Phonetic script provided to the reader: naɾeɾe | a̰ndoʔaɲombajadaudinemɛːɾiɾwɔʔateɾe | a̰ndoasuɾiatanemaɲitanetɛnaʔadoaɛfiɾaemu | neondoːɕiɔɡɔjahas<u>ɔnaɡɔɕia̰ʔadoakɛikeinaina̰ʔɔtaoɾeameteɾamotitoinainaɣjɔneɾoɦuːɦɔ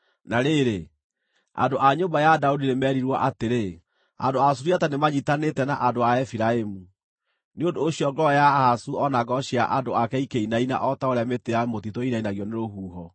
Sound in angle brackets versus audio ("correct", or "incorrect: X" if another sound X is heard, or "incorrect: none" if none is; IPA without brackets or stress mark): correct